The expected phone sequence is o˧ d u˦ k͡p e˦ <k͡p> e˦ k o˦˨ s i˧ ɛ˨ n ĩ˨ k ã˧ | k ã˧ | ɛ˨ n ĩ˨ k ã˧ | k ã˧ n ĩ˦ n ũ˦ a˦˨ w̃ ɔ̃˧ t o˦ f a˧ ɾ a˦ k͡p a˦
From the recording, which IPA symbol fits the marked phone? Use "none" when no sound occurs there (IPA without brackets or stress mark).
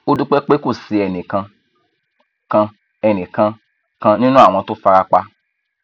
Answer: k͡p